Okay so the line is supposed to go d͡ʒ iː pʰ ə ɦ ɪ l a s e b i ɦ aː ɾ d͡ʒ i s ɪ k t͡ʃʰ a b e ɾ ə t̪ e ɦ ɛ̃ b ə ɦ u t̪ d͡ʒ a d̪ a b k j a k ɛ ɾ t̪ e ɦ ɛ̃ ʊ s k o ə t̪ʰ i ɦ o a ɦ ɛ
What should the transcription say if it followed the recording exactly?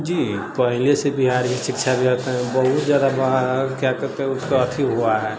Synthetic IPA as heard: d͡ʒ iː p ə ɦ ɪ l e s e b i ɦ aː ɾ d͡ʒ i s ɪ k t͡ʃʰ a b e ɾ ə t̪ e ɦ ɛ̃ b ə ɦ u t̪ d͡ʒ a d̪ a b k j a k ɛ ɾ t̪ e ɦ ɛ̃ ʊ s k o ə t̪ʰ i ɦ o a ɦ ɛ